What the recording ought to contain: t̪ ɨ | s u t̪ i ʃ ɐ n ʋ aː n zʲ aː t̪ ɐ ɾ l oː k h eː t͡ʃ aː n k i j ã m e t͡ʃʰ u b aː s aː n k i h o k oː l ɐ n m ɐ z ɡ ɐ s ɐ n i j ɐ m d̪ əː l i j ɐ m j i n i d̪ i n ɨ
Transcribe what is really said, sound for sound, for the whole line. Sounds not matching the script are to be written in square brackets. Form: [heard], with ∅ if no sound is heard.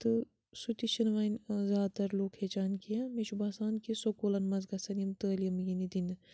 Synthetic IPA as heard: t̪ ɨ | s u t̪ i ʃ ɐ n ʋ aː n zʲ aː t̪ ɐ ɾ l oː k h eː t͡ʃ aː n k i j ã m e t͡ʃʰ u b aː s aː n k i [s] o k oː l ɐ n m ɐ z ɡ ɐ s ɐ n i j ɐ m [t̪] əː l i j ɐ m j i n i d̪ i n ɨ